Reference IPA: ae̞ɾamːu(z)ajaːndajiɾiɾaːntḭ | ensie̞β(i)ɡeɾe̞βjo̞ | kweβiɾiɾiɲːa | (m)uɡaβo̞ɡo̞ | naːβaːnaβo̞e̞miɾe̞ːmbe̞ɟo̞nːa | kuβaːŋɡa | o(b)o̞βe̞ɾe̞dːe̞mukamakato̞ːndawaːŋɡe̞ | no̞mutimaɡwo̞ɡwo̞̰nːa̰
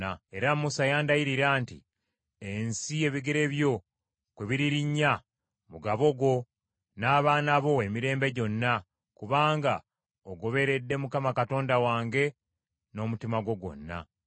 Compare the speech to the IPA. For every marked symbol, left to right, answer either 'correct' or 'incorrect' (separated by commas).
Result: incorrect, correct, correct, incorrect